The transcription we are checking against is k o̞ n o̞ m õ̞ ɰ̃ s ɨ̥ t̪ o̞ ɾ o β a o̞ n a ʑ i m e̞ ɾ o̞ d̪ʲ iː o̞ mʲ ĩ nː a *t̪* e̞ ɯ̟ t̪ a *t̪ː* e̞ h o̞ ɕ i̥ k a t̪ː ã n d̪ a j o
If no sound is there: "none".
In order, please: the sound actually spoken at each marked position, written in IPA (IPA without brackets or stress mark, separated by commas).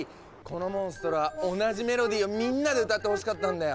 d̪, t̪ː